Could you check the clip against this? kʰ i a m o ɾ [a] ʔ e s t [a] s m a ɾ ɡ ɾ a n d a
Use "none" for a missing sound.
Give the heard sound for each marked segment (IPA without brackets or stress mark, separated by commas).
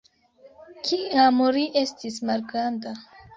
i, i